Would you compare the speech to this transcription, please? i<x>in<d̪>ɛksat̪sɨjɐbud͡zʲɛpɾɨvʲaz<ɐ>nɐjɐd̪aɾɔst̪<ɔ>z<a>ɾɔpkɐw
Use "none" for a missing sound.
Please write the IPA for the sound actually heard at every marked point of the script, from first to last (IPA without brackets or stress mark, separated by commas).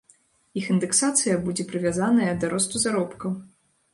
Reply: x, d̪, a, u, a